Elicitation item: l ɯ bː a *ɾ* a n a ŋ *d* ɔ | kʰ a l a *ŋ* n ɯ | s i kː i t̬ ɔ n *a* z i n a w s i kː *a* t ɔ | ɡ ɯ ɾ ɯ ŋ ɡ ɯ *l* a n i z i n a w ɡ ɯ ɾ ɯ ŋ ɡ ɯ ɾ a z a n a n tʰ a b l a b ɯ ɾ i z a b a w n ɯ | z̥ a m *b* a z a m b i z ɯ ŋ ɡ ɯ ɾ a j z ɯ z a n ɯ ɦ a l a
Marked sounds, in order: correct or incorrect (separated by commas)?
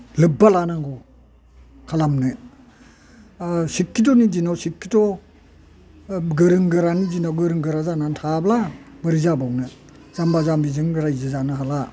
incorrect, incorrect, incorrect, incorrect, incorrect, incorrect, correct